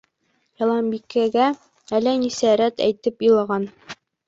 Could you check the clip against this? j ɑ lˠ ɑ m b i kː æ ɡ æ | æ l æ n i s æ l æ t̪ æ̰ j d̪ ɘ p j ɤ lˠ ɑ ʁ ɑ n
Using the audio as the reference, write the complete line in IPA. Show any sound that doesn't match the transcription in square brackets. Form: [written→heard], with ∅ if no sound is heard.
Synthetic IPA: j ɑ lˠ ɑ m b i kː æ ɡ æ | æ l æ n i s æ [l→ɾ] æ t̪ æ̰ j [d̪→t̪] ɘ p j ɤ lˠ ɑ ʁ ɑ n